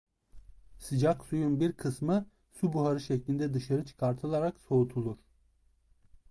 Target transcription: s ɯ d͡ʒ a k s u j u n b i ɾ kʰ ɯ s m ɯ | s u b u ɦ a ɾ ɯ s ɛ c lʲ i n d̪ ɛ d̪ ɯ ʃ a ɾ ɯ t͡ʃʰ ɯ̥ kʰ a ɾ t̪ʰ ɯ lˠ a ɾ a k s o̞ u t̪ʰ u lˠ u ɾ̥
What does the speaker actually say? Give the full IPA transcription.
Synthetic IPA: s ɯ d͡ʒ a k s u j u n b i ɾ kʰ ɯ s m ɯ | s u b u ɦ a ɾ ɯ ʃ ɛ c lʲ i n d̪ ɛ d̪ ɯ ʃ a ɾ ɯ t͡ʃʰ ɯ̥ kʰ a ɾ t̪ʰ ɯ lˠ a ɾ a k s o̞ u t̪ʰ u lˠ u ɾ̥